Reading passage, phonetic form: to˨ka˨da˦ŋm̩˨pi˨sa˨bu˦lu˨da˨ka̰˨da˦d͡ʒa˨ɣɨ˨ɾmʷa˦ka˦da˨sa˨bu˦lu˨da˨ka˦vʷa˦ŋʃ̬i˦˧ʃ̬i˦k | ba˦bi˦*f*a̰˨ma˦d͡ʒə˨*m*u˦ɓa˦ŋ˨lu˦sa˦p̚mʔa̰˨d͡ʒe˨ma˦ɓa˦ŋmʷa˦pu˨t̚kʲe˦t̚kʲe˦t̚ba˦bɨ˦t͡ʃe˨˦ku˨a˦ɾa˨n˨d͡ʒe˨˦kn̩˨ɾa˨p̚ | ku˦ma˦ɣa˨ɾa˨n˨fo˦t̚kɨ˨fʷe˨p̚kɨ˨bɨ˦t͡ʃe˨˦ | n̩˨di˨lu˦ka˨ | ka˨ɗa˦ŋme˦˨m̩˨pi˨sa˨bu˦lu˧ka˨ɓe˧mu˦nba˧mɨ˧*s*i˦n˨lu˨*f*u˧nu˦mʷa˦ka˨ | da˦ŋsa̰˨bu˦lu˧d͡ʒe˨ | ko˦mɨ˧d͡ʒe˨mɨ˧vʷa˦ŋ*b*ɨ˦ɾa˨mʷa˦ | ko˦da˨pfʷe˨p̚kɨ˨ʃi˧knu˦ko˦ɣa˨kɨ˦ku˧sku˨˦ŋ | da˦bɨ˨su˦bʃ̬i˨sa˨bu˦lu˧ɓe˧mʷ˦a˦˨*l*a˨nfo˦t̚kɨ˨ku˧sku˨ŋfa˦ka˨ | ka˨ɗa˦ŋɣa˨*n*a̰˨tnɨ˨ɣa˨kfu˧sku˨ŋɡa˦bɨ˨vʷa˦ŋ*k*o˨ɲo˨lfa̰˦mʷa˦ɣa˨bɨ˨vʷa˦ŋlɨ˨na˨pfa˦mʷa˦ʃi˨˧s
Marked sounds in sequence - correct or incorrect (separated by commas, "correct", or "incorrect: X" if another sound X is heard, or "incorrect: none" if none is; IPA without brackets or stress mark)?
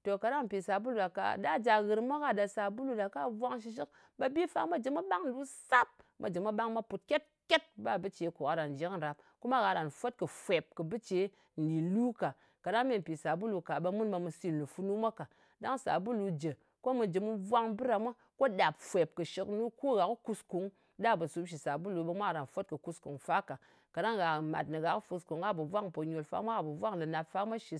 correct, correct, correct, correct, correct, incorrect: ɾ, incorrect: m, incorrect: p